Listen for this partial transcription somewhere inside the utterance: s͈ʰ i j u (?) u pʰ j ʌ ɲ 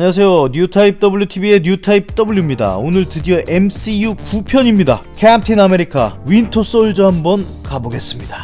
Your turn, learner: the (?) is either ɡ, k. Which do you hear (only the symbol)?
k